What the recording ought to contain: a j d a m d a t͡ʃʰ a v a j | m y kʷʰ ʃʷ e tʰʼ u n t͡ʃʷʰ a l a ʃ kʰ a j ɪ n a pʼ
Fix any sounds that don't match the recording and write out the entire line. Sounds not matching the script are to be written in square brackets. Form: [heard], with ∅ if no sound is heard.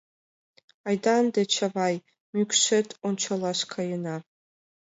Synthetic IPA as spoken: a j d a [n] d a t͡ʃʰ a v a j | m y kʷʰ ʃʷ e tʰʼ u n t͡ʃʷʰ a l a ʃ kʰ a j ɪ n a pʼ